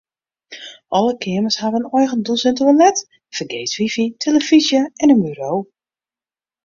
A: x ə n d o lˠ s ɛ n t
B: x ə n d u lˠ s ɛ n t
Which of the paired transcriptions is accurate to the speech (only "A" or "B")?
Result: B